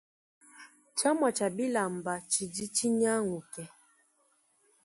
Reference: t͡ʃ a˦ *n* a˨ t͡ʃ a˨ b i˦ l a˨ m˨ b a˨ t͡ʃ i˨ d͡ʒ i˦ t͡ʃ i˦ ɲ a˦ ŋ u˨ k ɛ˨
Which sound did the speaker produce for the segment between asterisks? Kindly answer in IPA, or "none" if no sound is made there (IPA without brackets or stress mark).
m